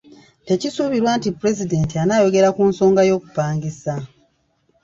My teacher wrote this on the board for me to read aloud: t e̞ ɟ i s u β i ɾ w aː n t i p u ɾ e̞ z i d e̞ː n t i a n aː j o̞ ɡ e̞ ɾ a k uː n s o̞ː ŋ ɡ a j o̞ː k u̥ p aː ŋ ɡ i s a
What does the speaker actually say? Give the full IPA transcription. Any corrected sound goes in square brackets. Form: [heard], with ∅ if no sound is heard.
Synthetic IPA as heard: t e̞ [c] i s u β i ɾ w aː n t i p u ɾ e̞ z i d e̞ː n t i a n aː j o̞ ɡ e̞ ɾ a k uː n s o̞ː ŋ ɡ a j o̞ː k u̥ p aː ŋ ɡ i s a